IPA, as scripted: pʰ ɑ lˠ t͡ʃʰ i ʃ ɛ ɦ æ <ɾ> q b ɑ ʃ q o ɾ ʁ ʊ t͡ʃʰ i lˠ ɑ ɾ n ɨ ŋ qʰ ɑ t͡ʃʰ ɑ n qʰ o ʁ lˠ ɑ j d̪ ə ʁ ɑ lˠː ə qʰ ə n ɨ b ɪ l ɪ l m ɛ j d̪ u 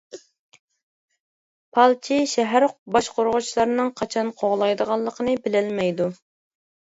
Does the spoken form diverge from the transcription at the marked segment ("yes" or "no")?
no